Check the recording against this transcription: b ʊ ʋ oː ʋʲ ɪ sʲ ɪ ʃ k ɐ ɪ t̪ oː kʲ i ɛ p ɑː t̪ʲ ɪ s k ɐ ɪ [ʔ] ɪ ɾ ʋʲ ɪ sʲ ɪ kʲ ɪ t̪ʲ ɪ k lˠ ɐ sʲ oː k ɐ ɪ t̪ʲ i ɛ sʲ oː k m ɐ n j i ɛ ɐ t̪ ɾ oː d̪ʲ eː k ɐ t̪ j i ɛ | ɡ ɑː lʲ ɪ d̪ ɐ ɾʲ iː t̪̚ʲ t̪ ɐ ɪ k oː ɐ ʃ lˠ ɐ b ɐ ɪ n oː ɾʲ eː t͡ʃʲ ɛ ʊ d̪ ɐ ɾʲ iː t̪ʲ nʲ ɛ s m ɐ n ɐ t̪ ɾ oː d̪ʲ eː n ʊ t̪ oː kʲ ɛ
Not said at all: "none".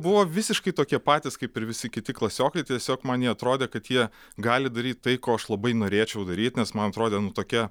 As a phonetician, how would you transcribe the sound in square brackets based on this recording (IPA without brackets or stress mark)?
p